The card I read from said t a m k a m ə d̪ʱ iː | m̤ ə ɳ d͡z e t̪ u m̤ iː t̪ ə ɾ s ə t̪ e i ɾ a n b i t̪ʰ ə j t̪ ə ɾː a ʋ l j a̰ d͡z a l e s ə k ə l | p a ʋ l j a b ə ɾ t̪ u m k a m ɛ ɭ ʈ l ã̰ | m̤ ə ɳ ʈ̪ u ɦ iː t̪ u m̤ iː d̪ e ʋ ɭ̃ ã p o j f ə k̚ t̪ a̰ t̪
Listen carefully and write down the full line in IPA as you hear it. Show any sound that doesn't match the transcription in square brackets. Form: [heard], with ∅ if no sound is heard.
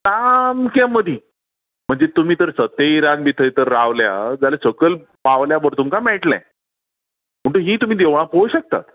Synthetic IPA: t a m k a m ə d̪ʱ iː | m̤ ə ɳ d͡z e t̪ u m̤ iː t̪ ə ɾ s ə t̪ e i ɾ a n b i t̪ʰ ə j t̪ ə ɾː a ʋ l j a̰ d͡z a l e s ə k ə l | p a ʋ l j a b ə ɾ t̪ u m k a m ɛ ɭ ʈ l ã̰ | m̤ ə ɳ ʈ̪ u ɦ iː t̪ u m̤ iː d̪ e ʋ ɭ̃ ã p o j [ɕ] ə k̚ t̪ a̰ t̪